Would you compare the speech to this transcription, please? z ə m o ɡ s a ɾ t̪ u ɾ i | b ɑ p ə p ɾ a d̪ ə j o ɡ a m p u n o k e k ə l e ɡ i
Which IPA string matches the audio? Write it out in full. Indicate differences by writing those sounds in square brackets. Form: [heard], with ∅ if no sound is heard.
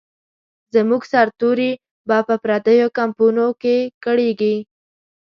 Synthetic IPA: z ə m [u] ɡ s a ɾ t̪ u ɾ i | b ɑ p ə p ɾ a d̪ ə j o [k] a m p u n o k e k ə [ɽ] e ɡ i